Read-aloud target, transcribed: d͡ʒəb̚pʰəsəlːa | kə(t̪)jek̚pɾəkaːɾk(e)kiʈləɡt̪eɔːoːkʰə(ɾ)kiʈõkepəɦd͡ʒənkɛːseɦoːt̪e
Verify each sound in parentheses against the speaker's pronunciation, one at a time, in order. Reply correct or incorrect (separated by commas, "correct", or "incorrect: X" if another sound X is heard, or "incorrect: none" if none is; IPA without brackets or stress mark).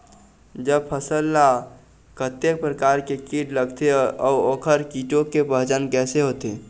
correct, correct, correct